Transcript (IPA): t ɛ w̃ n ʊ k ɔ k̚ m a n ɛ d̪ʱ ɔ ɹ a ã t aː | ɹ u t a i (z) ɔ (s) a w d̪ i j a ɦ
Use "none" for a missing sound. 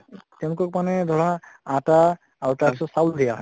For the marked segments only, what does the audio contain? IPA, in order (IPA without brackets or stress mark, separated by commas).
s, s